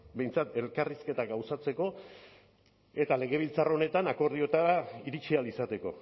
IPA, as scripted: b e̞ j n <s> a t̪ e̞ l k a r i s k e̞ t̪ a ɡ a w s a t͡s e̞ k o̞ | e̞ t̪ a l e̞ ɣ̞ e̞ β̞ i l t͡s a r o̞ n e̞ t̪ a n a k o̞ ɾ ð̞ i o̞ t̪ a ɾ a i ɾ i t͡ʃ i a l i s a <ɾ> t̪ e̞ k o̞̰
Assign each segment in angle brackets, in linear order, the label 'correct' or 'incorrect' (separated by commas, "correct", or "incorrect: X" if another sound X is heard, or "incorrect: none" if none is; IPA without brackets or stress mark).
incorrect: t͡s, incorrect: none